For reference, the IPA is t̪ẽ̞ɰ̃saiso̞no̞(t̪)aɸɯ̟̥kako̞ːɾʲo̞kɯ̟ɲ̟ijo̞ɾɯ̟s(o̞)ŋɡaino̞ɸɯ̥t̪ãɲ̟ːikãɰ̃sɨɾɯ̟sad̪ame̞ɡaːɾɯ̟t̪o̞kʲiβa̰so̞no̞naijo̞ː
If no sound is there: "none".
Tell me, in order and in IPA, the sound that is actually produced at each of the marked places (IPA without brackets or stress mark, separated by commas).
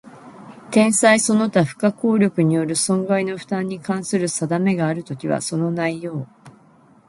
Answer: t̪, õ̞